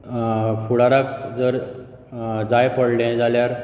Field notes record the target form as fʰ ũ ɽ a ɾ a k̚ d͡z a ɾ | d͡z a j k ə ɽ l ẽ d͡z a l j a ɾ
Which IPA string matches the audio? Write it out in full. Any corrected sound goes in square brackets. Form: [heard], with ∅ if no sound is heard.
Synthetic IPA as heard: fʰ [u] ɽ a ɾ a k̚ d͡z [ə] ɾ | d͡z a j [p] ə ɽ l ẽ d͡z a l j a ɾ